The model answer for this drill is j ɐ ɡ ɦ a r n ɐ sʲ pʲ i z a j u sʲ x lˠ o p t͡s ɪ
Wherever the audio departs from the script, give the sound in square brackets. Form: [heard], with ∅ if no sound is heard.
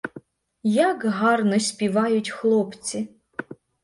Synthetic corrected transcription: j [a] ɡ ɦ a r n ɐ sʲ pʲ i [v] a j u [tʲ] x lˠ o p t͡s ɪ